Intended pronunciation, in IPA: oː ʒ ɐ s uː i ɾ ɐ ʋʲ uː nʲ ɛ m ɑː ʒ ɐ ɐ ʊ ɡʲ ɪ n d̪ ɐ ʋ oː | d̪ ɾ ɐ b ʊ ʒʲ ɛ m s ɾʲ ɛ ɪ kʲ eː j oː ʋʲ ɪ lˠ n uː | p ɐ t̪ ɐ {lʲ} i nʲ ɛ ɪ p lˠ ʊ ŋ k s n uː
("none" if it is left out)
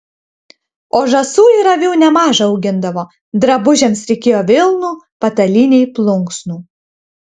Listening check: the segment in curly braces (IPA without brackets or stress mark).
lʲ